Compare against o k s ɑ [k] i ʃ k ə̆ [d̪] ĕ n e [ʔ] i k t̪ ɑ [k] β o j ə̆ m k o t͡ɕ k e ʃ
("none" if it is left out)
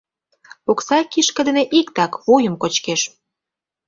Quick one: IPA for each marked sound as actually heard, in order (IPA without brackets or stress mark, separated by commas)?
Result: k, d̪, ʔ, k